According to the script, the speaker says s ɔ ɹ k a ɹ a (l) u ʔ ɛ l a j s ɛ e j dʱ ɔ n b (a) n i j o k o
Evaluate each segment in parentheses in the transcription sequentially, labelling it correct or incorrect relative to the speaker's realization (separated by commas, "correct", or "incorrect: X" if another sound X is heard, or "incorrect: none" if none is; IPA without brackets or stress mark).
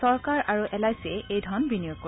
incorrect: ɹ, incorrect: i